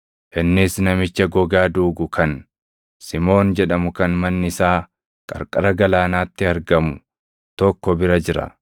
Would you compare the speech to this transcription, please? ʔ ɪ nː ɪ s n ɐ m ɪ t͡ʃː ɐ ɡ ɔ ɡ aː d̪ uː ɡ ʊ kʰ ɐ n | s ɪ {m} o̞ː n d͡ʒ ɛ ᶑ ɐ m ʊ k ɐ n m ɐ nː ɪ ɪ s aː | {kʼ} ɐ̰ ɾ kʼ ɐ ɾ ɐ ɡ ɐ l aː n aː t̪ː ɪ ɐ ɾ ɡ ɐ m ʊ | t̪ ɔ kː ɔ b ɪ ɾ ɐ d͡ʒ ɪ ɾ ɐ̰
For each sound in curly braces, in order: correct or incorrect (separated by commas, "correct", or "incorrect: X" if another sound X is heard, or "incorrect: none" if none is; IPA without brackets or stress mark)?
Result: correct, correct